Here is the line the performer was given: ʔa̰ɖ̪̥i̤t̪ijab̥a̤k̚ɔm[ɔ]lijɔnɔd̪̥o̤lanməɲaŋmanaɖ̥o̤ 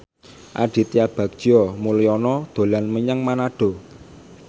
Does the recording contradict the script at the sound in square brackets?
yes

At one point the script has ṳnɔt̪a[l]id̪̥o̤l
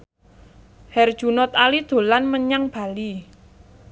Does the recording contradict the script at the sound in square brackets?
no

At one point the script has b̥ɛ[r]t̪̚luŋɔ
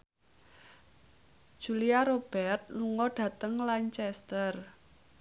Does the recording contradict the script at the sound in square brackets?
no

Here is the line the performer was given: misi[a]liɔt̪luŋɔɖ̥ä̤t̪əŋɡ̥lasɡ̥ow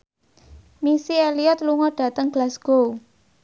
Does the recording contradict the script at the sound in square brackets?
yes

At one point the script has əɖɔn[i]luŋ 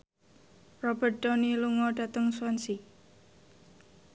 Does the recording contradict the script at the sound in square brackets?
no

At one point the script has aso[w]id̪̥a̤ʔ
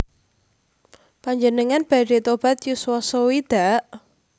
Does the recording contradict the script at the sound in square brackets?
no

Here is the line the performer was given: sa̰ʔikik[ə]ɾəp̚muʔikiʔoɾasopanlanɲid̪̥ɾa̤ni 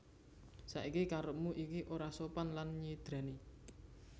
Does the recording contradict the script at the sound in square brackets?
yes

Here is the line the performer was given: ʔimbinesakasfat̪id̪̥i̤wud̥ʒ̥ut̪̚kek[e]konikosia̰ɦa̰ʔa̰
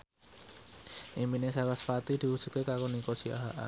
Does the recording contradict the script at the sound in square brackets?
yes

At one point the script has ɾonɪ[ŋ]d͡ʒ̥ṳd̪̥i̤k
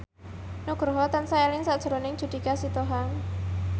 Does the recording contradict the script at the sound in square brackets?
no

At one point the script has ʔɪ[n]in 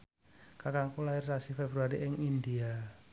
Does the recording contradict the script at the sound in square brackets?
yes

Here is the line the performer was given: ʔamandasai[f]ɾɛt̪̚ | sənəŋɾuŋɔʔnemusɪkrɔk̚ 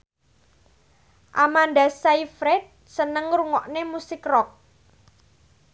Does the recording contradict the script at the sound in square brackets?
no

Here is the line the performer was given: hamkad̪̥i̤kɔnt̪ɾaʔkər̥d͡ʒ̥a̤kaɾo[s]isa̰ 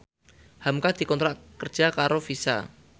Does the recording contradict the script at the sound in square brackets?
yes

